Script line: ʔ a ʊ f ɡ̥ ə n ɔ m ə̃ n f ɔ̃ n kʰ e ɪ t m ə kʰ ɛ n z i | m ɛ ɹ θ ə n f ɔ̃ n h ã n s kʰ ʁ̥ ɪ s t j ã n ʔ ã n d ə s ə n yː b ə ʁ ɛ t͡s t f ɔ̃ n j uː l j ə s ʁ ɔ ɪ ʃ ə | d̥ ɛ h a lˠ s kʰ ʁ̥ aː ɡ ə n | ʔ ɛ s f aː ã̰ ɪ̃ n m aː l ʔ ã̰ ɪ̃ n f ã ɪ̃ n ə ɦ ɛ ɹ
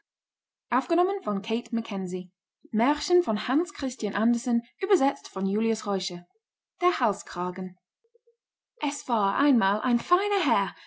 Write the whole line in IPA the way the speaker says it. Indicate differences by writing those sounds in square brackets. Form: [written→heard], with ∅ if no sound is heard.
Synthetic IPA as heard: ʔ a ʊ f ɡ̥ ə n ɔ m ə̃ n f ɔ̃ n kʰ e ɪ t m ə kʰ ɛ n z i | m ɛ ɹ [θ→ʃ] ə n f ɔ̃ n h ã n s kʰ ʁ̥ ɪ s t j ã n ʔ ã n d ə s ə n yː b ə [ʁ→z] ɛ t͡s t f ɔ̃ n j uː l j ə s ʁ ɔ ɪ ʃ ə | d̥ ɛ h a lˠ s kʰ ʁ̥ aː ɡ ə n | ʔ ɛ s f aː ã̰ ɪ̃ n m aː l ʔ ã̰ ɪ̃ n f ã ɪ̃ n ə ɦ ɛ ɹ